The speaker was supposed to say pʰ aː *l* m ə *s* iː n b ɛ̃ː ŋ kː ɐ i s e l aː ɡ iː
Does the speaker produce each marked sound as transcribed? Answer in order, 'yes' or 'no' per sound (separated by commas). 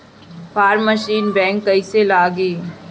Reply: no, no